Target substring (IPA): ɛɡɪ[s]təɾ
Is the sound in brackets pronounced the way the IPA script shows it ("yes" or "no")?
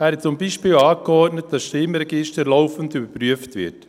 no